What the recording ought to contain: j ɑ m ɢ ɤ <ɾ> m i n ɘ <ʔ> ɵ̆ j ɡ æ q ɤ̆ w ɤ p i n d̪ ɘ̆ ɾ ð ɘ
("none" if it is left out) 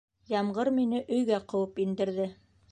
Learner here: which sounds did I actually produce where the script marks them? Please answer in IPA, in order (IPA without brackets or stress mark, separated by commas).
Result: ɾ, ʔ